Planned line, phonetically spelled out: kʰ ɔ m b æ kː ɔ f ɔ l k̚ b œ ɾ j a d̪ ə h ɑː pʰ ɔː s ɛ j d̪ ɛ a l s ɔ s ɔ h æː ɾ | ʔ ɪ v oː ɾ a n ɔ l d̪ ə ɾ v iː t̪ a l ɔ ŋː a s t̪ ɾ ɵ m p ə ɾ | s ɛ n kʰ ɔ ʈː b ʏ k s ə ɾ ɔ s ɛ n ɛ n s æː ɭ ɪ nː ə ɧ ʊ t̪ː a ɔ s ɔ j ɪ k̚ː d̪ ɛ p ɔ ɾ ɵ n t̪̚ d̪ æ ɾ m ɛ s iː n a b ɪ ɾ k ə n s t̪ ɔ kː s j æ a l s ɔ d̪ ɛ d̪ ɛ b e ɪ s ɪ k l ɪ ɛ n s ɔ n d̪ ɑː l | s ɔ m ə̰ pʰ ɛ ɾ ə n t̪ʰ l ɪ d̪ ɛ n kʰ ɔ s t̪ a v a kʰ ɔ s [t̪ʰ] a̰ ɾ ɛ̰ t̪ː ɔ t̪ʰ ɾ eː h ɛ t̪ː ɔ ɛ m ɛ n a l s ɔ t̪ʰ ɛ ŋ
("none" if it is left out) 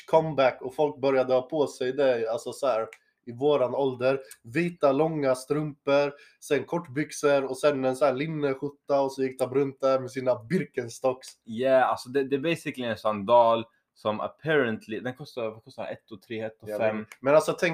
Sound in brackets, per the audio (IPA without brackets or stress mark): t̪